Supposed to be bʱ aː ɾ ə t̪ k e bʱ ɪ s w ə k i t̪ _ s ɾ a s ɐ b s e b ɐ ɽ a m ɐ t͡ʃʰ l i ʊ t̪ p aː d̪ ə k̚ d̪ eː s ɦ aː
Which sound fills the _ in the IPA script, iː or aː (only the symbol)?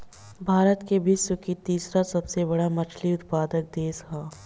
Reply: iː